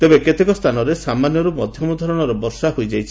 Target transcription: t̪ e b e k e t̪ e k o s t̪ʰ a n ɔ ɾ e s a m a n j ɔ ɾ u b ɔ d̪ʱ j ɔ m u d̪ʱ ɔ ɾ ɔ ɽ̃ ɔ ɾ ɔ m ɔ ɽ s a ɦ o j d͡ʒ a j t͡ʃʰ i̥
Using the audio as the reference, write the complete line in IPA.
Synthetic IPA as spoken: t̪ e b e k e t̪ e k ɔ s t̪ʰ a n ɔ ɾ e s a m a n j ɔ ɾ u m ɔ d̪ʱ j ɔ m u d̪ʱ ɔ ɾ ɔ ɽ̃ ɔ ɾ ɔ b ɔ ɾ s a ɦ o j d͡ʒ a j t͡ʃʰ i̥